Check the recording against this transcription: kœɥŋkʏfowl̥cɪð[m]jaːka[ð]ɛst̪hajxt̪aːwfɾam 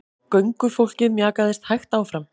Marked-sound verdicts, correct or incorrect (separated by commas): correct, correct